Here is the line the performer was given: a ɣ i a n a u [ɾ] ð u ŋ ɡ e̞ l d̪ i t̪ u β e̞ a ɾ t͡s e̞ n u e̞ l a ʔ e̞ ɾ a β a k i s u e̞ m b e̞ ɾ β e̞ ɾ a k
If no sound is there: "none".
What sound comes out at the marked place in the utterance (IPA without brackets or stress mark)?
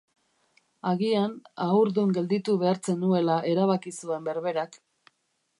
ɾ